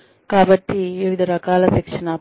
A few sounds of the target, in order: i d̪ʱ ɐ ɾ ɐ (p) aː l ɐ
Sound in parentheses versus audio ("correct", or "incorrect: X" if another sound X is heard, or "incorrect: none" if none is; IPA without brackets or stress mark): incorrect: k